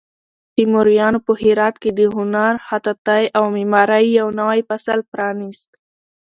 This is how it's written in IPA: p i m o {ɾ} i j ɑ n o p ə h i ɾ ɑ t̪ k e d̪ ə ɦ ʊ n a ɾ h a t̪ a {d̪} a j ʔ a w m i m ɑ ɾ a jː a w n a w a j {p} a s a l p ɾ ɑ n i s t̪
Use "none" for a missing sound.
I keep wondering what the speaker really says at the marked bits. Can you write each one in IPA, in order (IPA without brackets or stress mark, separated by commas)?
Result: ɾ, t̪, p